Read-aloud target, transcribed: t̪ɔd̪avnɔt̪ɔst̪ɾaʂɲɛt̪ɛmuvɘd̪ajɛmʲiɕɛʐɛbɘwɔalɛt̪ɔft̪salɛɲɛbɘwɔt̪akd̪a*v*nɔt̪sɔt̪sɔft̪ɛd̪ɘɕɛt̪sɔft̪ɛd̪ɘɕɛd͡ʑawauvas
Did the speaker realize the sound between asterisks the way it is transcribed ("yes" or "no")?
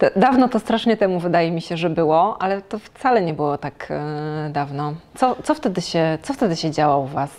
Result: yes